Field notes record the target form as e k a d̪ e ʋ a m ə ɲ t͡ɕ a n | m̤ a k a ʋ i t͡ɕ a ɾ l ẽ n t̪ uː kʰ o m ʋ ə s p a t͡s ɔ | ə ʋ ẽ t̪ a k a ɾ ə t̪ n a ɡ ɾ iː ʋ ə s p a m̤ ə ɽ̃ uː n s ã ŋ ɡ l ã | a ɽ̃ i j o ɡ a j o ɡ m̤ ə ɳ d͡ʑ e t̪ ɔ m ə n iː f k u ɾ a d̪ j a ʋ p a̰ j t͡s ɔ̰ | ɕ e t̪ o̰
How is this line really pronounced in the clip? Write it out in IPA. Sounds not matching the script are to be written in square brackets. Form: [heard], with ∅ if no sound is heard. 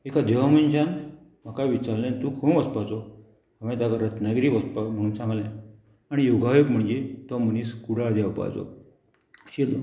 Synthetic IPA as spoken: e k a d̪ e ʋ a m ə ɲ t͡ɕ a n | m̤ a k a ʋ i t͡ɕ a ɾ l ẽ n t̪ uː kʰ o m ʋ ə s p a t͡s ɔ | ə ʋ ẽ t̪ a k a ɾ ə t̪ n a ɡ ɾ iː ʋ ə s p a m̤ ə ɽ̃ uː n s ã ŋ ɡ l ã | a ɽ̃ i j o ɡ a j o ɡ m̤ ə ɳ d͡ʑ e t̪ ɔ m ə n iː [s] k u [ɽ] a d̪ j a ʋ p a̰ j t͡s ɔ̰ | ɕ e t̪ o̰